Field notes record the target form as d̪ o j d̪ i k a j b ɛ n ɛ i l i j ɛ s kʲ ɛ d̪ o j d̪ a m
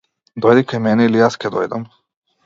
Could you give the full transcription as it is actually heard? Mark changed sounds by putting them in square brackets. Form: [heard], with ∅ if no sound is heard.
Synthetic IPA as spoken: d̪ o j d̪ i k a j [m] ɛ n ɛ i l i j [a] s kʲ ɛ d̪ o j d̪ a m